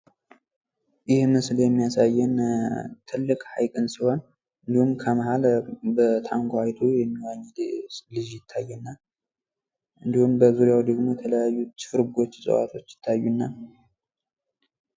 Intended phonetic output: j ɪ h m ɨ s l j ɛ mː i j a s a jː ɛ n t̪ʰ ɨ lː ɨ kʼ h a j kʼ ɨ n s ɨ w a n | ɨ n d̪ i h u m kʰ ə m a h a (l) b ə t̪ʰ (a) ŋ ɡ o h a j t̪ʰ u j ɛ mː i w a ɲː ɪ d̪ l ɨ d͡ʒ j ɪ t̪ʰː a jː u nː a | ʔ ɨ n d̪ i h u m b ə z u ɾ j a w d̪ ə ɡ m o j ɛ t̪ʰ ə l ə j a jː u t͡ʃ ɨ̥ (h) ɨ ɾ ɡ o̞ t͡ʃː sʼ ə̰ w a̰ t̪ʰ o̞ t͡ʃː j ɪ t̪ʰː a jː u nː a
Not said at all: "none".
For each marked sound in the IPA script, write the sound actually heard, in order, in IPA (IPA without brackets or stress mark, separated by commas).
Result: l, a, f